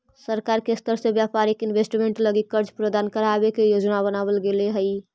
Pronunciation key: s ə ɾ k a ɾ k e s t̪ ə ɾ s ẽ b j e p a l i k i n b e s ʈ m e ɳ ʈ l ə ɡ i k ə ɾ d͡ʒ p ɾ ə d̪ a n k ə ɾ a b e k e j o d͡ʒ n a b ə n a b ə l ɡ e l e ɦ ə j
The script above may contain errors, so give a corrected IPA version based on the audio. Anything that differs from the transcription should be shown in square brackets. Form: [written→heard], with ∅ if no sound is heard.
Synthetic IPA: s ə ɾ k a ɾ k e s t̪ ə ɾ s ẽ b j [e→a] p a [l→ɾ] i k i n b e s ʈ m e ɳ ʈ l ə ɡ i k ə ɾ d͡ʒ p ɾ ə d̪ a n k ə ɾ a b e k e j o d͡ʒ n a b ə n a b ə l ɡ e l e ɦ ə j